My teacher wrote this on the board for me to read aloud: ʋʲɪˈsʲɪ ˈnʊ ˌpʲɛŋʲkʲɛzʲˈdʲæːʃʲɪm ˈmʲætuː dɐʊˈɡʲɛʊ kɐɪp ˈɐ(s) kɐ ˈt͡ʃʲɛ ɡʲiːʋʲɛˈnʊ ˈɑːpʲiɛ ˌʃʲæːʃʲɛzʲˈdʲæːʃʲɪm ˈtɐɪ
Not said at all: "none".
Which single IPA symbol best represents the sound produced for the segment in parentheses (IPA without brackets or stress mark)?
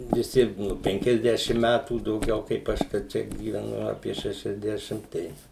ʃ